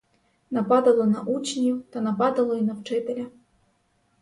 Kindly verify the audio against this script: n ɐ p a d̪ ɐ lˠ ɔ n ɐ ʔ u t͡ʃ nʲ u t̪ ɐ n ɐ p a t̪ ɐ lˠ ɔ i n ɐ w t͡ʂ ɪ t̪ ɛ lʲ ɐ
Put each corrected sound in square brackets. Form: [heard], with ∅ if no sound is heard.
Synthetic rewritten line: n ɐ p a d̪ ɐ lˠ ɔ n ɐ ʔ u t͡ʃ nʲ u t̪ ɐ n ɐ p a [d̪] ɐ lˠ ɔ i n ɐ w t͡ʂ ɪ t̪ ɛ lʲ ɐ